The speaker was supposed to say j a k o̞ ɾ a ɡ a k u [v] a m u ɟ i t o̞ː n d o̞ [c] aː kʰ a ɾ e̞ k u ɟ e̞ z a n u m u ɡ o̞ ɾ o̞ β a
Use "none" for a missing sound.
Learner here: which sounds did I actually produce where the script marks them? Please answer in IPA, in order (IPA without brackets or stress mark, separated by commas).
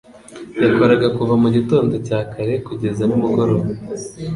v, c